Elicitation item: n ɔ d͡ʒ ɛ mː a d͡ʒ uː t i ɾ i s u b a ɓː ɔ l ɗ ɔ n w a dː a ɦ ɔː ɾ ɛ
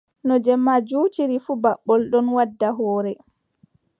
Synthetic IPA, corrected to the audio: n ɔ d͡ʒ ɛ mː a d͡ʒ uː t i ɾ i f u b a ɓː ɔ l ɗ ɔ n w a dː a ɦ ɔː ɾ ɛ